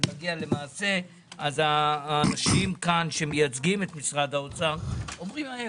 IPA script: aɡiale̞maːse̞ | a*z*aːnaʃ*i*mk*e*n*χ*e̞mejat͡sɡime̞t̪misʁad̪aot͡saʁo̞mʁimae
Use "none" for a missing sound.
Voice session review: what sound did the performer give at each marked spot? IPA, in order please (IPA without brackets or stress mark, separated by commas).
z, i, a, ʃ